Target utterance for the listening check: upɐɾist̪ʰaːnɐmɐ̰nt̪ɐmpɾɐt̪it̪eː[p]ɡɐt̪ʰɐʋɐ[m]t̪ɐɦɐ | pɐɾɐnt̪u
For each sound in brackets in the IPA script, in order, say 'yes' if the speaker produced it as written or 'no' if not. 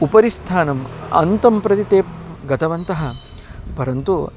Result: yes, no

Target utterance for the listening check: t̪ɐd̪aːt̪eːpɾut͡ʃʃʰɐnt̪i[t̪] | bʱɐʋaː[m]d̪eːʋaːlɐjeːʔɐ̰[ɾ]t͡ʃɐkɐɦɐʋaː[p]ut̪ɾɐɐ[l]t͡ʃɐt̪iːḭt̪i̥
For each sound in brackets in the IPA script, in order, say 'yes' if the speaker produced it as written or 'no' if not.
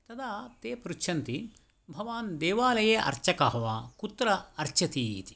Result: no, no, yes, no, no

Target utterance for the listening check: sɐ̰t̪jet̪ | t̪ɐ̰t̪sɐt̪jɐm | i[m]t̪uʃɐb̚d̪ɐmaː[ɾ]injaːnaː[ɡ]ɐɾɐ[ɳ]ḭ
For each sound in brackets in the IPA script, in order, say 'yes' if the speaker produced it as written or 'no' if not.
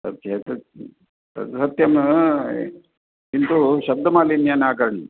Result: no, no, no, yes

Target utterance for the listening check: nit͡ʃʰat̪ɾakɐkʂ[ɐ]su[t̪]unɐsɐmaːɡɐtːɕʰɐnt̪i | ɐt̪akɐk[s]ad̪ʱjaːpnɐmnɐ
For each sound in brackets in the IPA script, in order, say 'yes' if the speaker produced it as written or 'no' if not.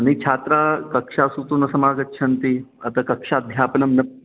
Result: no, yes, no

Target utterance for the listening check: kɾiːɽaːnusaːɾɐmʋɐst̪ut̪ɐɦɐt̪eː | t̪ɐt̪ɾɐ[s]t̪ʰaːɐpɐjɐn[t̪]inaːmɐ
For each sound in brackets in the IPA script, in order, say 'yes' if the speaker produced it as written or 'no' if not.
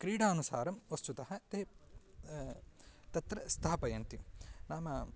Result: yes, yes

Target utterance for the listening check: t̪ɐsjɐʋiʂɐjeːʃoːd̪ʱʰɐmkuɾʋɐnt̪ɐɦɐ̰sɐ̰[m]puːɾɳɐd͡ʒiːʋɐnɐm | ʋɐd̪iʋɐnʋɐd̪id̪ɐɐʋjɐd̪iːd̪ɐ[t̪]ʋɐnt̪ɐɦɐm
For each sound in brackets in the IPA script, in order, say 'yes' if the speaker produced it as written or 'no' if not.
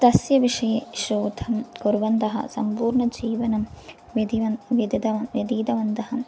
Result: yes, no

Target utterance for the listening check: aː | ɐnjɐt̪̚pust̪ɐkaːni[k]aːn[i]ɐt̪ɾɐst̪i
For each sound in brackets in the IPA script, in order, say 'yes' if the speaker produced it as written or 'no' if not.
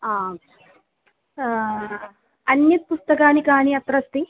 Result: yes, yes

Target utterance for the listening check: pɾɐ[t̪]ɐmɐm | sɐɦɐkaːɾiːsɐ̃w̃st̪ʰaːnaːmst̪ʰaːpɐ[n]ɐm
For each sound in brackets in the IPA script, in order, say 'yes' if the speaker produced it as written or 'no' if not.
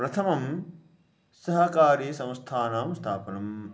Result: no, yes

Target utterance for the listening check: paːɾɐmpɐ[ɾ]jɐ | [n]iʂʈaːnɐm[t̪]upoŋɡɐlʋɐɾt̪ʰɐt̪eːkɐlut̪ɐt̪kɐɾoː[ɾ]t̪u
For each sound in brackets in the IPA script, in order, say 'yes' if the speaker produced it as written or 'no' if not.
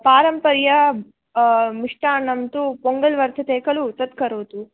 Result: yes, no, yes, no

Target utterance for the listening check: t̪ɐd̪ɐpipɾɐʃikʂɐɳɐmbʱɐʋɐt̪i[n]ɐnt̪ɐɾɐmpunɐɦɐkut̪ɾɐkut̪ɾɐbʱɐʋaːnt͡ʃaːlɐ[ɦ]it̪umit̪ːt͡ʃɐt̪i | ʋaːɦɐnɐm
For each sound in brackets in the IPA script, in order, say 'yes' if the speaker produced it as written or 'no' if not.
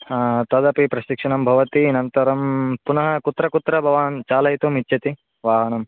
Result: yes, yes

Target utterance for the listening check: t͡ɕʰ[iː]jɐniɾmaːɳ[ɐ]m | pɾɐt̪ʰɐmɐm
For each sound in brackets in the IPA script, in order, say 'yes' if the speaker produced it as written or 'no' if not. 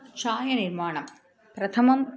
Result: no, yes

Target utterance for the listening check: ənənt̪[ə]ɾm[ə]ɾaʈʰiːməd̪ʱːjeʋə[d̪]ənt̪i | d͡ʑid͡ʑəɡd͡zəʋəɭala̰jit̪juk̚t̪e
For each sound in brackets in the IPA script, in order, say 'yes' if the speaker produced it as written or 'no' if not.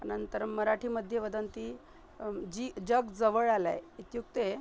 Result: yes, yes, yes

